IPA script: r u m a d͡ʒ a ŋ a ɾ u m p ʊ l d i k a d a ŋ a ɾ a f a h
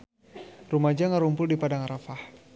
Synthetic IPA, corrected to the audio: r u m a d͡ʒ a ŋ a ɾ u m p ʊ l d i p a d a ŋ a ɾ a f a h